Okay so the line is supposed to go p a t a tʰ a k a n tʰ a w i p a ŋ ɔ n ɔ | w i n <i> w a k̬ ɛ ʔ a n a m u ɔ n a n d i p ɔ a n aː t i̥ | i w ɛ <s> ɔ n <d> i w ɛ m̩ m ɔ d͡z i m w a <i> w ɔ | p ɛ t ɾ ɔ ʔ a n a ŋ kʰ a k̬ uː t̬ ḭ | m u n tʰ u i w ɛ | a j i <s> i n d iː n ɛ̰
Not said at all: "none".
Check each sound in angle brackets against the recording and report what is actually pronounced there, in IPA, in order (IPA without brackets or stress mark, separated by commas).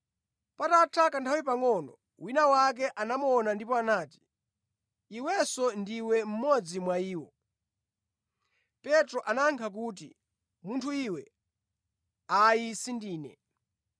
a, s, d, iː, s